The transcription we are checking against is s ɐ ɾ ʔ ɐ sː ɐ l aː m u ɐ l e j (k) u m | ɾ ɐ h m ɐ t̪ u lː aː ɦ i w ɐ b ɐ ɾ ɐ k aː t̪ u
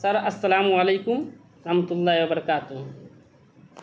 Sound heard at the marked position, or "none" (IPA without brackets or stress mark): k